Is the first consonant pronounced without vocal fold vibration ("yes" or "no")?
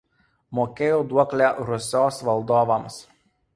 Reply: no